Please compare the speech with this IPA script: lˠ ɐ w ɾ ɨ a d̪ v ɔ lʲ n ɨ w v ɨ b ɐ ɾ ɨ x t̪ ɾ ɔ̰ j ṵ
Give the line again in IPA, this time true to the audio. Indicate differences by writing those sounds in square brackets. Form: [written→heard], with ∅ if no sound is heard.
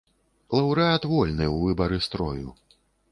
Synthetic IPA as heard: lˠ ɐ w ɾ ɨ a [d̪→t̪] v ɔ lʲ n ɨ w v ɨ b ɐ ɾ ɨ [x→s] t̪ ɾ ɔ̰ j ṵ